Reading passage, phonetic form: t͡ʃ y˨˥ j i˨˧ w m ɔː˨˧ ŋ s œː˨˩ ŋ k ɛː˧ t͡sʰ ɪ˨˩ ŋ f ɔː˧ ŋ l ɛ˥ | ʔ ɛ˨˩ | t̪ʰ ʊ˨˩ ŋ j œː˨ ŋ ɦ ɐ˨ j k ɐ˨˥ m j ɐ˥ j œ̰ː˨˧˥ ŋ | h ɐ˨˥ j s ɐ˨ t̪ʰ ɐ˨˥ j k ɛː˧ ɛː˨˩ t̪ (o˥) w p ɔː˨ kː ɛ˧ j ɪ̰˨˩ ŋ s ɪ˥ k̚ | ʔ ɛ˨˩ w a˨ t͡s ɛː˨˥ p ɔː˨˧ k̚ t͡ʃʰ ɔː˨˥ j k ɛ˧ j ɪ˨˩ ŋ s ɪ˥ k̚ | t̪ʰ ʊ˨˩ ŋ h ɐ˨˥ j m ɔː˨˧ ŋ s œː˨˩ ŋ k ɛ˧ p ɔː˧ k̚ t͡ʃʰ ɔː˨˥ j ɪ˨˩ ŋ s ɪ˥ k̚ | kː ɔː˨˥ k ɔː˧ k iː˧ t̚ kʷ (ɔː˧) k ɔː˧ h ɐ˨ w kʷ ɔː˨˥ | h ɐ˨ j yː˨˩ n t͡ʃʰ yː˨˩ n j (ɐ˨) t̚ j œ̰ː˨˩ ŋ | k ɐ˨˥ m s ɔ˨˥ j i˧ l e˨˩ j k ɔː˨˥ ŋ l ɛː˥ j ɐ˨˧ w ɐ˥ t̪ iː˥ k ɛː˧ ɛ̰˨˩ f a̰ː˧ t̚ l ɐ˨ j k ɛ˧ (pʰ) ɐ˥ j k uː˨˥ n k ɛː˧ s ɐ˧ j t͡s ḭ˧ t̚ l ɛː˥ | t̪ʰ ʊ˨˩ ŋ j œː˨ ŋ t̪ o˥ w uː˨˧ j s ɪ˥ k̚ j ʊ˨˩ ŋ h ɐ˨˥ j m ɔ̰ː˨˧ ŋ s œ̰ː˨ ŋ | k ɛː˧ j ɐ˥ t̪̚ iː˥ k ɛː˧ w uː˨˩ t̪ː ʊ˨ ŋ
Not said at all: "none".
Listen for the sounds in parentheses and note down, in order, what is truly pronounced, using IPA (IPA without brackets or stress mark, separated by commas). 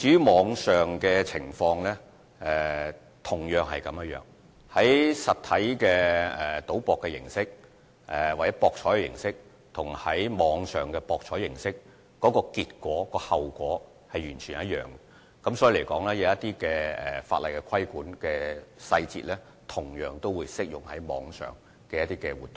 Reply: o˨˥, ɔː˨˥, ɐ˦˥, kʰ